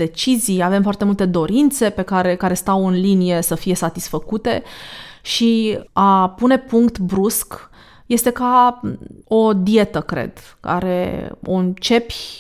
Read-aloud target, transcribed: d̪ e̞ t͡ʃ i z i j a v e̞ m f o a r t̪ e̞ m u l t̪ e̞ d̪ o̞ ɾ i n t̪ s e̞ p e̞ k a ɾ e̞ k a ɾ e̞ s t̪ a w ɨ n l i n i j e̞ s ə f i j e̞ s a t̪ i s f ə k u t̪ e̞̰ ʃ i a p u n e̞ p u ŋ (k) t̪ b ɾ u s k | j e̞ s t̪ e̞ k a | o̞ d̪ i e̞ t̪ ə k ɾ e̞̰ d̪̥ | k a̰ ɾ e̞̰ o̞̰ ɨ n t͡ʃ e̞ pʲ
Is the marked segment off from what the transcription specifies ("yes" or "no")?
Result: no